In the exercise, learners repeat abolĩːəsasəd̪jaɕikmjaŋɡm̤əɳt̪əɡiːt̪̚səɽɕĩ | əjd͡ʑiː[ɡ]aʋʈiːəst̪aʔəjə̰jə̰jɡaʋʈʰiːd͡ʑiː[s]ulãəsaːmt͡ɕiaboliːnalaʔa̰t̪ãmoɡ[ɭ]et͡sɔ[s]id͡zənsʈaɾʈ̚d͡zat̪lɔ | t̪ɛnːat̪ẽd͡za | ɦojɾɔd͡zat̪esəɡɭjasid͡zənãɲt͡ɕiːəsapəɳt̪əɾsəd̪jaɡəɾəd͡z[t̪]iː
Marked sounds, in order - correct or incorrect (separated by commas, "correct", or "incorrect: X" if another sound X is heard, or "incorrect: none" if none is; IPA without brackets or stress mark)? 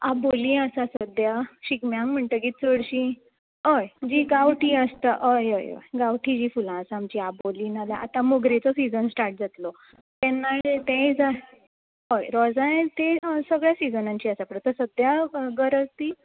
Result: correct, incorrect: f, incorrect: ɾ, correct, correct